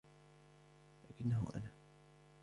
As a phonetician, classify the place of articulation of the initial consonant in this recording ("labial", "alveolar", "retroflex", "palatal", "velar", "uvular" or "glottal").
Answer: alveolar